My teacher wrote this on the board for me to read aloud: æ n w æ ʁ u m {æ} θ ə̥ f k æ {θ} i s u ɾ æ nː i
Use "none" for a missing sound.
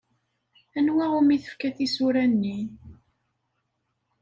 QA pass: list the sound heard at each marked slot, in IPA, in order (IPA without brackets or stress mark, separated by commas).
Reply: i, θ